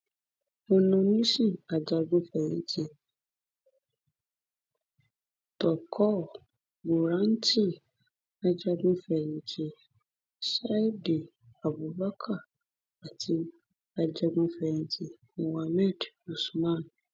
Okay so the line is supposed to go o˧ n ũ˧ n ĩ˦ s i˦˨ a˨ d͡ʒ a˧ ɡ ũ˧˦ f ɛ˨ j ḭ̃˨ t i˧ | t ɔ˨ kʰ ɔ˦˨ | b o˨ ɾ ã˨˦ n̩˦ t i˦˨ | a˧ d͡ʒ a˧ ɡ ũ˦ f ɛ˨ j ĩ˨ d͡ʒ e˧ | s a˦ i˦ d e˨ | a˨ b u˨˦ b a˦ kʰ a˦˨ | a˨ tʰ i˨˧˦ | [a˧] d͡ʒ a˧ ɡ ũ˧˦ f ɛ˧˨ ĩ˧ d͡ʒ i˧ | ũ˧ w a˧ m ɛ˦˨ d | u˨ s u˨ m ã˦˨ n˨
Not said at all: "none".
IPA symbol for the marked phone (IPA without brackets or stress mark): a˧